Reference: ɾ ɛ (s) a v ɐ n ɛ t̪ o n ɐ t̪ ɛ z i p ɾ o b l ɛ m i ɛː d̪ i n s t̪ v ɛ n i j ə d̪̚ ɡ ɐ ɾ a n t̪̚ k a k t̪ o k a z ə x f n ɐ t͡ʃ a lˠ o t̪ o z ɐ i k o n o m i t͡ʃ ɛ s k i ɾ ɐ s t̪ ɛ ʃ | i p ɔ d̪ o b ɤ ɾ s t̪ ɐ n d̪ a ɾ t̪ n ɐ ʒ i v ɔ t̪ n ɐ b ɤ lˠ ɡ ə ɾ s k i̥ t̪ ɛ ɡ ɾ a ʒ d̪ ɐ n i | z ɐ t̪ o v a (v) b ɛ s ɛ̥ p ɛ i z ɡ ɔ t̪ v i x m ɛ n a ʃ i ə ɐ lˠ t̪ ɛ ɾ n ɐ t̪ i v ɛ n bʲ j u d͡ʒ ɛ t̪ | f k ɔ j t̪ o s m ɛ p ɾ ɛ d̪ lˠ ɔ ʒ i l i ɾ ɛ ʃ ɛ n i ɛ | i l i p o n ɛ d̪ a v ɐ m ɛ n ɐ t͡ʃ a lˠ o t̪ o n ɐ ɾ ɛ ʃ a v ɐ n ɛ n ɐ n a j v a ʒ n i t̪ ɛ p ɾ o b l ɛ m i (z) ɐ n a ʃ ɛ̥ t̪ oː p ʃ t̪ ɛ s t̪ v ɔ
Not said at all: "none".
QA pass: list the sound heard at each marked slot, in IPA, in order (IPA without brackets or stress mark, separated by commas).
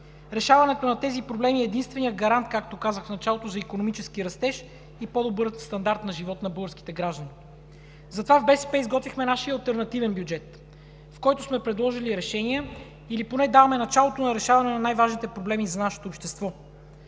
ʃ, v, z